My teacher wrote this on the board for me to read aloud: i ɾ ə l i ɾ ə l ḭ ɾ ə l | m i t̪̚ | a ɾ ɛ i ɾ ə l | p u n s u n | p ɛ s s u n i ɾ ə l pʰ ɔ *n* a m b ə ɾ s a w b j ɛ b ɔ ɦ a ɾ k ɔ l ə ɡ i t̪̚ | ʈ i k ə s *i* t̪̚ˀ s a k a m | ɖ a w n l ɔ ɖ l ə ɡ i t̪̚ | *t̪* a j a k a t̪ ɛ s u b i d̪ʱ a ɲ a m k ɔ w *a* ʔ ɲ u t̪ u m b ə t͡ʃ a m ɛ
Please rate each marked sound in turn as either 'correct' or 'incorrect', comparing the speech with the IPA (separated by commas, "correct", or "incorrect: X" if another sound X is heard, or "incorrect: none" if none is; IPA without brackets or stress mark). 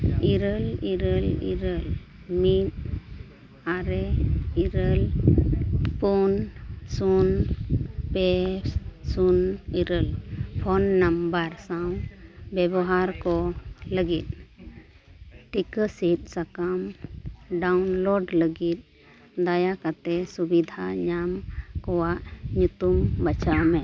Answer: incorrect: nː, correct, incorrect: d̪, correct